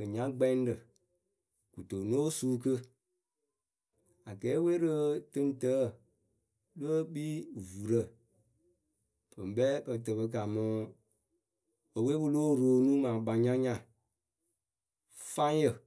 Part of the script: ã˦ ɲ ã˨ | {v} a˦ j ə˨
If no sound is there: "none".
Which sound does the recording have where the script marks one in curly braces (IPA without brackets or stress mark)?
f